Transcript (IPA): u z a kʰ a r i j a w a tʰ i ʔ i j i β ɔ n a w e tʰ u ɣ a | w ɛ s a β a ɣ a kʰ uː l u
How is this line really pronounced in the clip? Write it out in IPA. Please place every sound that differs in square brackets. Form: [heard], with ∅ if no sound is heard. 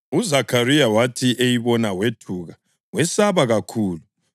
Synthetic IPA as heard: u z a kʰ a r i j a w a tʰ i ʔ [e] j i β ɔ n a w e tʰ u ɣ a | w ɛ s a β a ɣ a kʰ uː l u